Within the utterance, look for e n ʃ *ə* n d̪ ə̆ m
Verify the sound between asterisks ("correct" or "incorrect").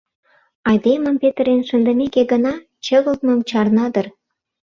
correct